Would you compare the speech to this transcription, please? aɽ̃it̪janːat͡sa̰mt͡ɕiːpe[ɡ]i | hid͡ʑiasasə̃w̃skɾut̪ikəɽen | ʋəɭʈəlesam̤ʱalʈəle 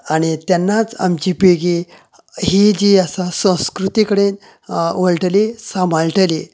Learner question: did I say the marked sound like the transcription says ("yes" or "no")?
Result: yes